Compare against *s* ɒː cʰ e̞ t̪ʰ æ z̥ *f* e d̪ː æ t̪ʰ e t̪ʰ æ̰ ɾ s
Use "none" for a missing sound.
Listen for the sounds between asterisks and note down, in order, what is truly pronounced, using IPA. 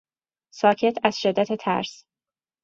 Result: s, ʃ

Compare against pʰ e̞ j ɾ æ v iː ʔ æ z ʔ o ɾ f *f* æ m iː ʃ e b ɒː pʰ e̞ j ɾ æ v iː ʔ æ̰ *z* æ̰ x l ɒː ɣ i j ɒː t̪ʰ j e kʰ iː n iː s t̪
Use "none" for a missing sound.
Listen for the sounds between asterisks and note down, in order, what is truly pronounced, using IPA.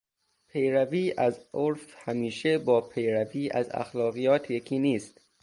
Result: h, z

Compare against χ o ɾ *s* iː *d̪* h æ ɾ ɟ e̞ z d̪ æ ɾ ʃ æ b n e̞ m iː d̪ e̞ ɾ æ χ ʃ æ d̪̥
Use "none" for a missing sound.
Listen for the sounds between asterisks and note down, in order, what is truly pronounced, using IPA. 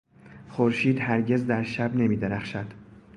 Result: ʃ, d̪

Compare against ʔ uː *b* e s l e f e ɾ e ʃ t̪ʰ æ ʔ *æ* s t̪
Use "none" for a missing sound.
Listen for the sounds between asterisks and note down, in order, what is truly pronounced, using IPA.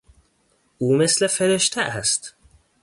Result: m, æ

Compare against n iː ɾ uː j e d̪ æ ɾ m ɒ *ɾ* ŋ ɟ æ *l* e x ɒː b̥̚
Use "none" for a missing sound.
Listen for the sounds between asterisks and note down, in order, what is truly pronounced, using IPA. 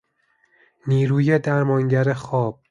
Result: none, ɾ

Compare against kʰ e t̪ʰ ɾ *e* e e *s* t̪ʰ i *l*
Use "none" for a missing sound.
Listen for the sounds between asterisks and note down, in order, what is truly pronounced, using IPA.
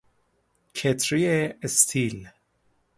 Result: i, s, l

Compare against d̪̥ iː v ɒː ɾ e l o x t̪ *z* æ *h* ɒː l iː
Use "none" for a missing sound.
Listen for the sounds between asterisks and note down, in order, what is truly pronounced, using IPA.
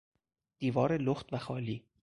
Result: v, x

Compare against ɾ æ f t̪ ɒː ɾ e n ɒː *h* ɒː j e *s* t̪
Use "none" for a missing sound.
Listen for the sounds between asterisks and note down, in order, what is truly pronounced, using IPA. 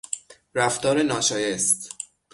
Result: ʃ, s

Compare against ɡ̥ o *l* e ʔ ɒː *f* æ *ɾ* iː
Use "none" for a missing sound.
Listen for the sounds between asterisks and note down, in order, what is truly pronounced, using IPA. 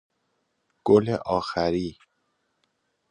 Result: l, x, ɾ

